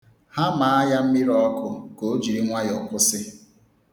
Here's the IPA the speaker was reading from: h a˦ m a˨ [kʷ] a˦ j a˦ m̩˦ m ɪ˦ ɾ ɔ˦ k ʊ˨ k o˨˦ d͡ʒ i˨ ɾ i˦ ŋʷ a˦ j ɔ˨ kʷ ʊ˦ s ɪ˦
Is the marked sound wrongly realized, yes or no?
yes